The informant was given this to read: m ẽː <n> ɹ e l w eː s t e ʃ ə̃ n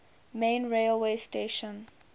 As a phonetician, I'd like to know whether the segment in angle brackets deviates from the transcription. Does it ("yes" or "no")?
no